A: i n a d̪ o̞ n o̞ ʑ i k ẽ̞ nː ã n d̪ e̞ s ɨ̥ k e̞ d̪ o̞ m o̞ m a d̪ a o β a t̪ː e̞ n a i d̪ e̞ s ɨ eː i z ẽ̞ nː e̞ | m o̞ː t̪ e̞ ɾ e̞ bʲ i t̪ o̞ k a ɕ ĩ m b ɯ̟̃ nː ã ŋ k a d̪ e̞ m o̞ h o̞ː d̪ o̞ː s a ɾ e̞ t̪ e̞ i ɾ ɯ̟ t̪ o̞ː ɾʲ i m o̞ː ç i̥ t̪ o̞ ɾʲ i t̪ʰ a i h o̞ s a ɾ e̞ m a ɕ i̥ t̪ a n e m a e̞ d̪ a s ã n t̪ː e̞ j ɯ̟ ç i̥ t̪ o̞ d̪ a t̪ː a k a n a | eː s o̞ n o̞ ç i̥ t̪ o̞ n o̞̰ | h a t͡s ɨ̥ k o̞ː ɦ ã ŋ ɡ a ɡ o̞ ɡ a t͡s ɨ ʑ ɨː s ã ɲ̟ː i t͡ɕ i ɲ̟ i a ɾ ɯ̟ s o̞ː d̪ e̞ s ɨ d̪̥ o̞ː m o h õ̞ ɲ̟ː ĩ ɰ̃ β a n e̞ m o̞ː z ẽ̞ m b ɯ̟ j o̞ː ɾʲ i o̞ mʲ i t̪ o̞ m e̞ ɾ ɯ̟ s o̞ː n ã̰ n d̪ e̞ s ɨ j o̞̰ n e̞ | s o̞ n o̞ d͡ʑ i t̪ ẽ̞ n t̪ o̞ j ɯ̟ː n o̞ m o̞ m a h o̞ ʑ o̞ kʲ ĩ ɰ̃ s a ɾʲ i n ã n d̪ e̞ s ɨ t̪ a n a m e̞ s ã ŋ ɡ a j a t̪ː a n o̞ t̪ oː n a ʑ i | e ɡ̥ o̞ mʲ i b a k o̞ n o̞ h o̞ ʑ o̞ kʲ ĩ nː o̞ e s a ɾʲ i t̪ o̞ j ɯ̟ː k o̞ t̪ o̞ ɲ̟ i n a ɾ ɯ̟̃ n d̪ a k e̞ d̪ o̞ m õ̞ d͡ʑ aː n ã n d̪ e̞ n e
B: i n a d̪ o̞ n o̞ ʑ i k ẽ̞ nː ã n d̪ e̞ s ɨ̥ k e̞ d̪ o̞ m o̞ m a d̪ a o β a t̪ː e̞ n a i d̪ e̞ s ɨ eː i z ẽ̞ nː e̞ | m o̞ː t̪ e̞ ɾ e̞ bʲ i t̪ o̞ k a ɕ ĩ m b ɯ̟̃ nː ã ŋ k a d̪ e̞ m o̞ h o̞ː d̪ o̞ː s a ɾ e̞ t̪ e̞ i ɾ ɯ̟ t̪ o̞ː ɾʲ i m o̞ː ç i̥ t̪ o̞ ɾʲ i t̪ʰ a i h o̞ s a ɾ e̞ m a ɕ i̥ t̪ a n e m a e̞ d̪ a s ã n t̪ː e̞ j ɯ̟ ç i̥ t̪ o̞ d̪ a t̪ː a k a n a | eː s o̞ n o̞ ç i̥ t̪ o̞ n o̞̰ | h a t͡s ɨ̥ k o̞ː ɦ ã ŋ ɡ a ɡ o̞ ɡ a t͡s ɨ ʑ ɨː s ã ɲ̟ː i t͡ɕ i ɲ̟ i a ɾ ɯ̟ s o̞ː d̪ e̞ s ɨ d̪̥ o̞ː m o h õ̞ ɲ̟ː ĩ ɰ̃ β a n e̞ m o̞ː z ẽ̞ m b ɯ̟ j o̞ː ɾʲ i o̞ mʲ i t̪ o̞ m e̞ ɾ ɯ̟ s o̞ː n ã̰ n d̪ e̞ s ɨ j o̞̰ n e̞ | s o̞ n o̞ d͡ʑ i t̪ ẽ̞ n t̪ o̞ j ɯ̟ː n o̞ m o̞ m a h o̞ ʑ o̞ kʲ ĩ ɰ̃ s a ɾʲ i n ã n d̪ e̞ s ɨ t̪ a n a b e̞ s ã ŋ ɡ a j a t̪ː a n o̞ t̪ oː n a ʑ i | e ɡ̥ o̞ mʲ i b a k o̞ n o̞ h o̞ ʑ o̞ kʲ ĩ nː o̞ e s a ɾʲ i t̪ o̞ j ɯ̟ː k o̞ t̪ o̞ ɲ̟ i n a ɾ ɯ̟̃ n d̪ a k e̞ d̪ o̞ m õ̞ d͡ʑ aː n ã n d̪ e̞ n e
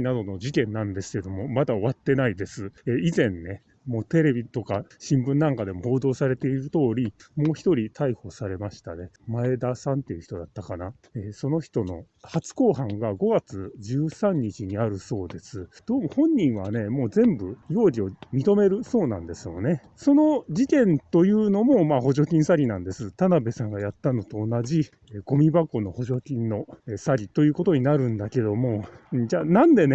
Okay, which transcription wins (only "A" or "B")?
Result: B